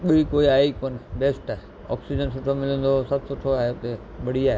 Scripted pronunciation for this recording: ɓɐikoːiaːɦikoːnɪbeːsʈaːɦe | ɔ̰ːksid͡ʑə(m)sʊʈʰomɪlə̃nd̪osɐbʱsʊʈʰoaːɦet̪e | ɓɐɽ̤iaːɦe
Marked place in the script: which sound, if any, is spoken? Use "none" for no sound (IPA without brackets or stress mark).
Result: n